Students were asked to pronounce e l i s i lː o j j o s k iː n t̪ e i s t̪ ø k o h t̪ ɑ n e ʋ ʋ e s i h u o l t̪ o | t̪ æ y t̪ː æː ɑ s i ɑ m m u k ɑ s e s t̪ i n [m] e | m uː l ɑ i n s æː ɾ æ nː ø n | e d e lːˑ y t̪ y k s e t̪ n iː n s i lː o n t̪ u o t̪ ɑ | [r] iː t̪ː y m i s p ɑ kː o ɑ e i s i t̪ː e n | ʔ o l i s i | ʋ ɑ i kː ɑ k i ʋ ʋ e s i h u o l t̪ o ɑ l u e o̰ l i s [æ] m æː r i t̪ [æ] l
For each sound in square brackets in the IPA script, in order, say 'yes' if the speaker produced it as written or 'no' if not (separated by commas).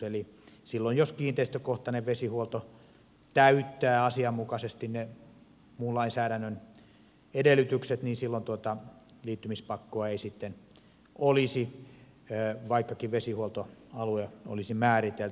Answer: no, no, no, no